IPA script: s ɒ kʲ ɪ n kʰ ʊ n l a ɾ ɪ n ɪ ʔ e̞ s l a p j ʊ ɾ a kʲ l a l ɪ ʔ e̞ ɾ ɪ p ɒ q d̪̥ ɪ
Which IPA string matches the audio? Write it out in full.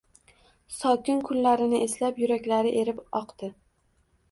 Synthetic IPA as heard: s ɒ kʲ ɪ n kʰ ʊ n l a ɾ ɪ n ɪ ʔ e̞ s l a p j ʊ ɾ a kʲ l a ɾ ɪ ʔ e̞ ɾ ɪ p ɒ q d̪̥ ɪ